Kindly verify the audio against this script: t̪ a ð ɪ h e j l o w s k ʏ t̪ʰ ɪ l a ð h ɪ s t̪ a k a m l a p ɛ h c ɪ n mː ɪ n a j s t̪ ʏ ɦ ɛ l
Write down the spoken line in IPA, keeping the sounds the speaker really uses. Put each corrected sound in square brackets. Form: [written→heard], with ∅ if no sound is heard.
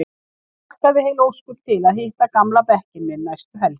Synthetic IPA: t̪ a ð ɪ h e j l o w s k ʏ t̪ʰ ɪ l a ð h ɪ [s→h] t̪ a k a m l a p ɛ h c ɪ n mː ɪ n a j s t̪ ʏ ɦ ɛ l